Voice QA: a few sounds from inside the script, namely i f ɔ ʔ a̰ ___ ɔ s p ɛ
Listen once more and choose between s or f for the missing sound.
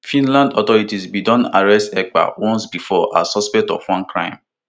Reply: s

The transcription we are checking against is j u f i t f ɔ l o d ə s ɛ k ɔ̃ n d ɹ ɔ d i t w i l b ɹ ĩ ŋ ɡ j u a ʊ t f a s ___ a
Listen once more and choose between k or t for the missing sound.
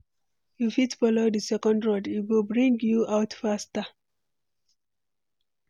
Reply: t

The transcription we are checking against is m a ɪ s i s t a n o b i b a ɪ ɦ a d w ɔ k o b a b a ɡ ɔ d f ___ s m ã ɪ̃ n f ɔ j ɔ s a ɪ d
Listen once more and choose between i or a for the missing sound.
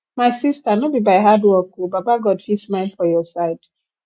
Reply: i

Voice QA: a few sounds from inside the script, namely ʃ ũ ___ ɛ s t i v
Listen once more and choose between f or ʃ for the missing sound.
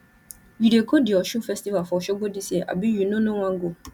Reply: f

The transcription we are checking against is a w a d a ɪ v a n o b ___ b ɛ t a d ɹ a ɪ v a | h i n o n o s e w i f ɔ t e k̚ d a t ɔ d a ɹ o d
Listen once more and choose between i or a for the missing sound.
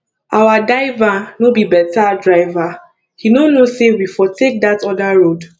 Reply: i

